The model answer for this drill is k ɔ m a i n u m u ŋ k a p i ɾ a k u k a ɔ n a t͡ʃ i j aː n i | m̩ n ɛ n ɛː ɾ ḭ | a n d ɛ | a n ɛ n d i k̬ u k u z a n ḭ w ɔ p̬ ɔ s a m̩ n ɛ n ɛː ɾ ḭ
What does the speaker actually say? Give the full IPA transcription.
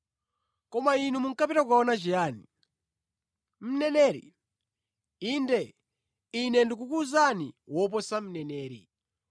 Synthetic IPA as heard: k ɔ m a i n u m u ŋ k a p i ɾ a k u k a ɔ n a t͡ʃ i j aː n i | m̩ n ɛ n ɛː ɾ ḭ | i n d ɛ | i n ɛ n d i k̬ u k u z a n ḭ w ɔ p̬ ɔ s a m̩ n ɛ n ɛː ɾ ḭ